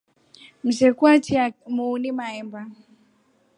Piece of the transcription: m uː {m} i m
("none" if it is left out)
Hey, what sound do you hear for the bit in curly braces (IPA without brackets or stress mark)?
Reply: n